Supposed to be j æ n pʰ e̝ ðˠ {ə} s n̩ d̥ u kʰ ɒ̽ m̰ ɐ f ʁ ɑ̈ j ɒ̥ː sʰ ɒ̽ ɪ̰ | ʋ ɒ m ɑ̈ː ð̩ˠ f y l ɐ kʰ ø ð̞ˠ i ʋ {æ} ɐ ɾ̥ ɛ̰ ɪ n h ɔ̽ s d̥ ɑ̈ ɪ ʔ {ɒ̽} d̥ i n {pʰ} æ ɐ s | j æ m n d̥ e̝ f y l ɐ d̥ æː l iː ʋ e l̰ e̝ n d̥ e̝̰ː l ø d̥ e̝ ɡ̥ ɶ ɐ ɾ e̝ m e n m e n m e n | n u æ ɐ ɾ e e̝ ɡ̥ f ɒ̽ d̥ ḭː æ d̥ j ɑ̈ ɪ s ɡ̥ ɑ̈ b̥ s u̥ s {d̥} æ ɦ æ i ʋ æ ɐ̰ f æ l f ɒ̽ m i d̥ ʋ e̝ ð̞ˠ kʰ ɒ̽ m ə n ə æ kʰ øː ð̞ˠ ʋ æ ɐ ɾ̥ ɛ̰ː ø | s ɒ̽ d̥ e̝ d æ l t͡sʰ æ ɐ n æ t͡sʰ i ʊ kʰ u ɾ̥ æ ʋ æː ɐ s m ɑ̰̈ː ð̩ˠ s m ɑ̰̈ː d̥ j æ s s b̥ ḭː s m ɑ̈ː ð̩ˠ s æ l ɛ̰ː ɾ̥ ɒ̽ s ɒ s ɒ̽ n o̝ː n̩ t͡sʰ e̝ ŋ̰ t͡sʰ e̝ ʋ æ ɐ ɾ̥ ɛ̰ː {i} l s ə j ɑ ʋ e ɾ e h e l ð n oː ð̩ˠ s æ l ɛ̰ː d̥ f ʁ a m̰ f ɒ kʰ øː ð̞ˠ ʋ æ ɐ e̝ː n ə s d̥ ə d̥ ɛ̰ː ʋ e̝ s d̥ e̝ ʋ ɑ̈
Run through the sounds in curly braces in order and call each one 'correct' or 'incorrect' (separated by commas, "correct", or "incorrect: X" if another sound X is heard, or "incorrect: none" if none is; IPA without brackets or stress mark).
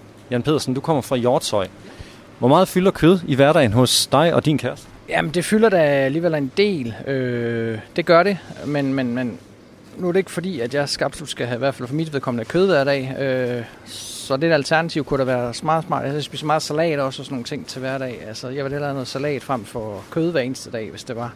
incorrect: ɐ, correct, correct, incorrect: kʰ, incorrect: ɡ̥, incorrect: æ